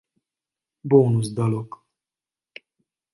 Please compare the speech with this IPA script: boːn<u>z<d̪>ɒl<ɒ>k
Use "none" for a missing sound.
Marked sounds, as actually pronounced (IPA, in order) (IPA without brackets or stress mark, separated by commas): u, d̪, o